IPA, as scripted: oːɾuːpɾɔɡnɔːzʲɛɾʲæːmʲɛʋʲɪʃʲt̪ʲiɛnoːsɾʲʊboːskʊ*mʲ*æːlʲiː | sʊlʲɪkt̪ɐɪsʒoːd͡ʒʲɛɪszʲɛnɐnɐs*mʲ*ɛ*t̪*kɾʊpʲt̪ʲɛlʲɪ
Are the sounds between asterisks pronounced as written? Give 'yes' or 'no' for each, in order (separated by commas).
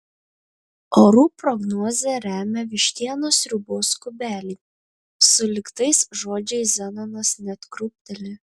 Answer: no, no, yes